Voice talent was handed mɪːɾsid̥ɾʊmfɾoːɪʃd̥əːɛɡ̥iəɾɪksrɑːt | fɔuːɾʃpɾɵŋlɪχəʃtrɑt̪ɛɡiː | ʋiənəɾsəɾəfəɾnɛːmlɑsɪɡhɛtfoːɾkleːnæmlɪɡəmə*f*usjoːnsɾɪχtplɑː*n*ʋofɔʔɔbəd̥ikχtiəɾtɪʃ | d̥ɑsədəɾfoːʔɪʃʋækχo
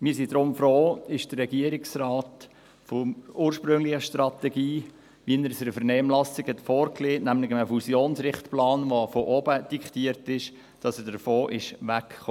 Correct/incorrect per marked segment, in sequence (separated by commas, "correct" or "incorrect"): correct, correct